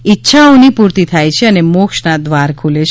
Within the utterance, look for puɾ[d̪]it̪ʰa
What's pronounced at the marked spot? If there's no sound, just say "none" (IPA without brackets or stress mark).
t̪